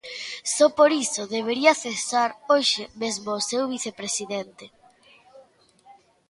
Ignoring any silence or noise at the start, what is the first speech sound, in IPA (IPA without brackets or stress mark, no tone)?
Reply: s